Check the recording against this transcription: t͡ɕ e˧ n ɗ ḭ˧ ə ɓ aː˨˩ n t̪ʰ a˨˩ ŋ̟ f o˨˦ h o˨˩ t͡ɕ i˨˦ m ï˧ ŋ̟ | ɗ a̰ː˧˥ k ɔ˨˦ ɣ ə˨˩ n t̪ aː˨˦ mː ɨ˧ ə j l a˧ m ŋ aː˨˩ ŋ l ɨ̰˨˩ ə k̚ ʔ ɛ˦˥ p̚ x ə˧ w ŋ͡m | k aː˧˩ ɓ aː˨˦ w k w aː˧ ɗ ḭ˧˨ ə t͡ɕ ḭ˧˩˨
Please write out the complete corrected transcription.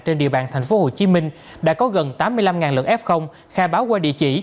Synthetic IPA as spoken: t͡ɕ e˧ n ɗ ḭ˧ ə ɓ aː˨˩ n t̪ʰ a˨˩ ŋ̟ f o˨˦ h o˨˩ t͡ɕ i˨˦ m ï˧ ŋ̟ | ɗ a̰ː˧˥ k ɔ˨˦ ɣ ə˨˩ n t̪ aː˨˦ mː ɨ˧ ə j l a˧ m ŋ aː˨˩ n l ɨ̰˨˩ ə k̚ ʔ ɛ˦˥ p̚ x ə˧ w ŋ͡m | x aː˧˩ ɓ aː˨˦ w k w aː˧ ɗ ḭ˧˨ ə t͡ɕ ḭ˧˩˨